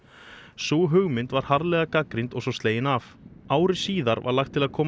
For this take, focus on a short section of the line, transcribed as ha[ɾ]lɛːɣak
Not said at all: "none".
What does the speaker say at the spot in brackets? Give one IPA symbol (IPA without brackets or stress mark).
ɾ